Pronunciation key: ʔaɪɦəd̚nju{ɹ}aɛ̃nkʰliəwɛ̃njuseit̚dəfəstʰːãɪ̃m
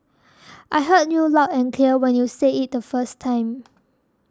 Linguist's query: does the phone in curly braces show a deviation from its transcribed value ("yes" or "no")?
yes